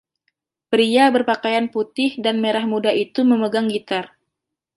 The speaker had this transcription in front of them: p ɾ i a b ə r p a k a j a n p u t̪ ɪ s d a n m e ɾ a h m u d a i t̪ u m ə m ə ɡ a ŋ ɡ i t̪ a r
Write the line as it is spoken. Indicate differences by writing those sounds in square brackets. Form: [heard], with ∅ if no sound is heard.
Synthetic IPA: p ɾ i a b ə r p a k a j a n p u t̪ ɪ [h] d a n m e ɾ a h m u d a i t̪ u m ə m ə ɡ a ŋ ɡ i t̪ a r